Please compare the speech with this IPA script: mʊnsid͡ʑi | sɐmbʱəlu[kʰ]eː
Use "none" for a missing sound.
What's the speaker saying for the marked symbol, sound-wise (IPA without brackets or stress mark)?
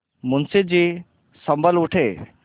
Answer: ʈʰ